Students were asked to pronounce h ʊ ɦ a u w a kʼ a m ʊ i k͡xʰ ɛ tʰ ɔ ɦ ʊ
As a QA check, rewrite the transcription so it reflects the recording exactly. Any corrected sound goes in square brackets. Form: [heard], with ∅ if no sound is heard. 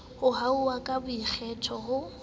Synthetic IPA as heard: h ʊ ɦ a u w a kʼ a [b] ʊ i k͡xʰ ɛ tʰ ɔ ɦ ʊ